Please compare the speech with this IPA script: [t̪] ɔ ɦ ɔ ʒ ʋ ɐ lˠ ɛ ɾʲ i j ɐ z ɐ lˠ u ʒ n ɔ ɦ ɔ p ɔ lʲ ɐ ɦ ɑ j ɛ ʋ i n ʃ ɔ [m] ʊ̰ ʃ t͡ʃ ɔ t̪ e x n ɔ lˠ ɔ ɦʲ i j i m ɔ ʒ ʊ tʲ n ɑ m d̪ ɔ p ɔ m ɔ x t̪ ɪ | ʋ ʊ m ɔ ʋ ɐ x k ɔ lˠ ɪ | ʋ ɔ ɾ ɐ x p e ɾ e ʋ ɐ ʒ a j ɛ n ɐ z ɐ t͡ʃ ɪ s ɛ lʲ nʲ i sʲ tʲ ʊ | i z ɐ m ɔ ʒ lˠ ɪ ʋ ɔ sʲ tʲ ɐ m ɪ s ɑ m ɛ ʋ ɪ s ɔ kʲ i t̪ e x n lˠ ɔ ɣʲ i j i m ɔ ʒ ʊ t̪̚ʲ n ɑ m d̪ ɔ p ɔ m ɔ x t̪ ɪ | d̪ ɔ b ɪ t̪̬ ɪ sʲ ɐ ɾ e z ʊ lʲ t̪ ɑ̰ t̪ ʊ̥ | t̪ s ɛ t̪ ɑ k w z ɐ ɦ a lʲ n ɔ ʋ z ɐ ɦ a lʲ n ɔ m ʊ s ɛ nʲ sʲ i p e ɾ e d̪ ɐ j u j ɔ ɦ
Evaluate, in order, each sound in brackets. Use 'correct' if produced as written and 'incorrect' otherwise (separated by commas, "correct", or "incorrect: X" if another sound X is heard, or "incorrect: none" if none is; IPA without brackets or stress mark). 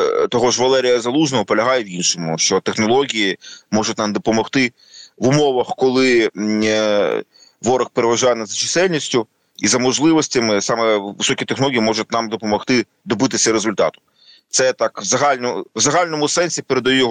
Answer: correct, correct